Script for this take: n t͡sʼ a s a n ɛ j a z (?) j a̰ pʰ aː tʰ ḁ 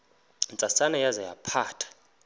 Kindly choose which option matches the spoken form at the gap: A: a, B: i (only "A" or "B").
A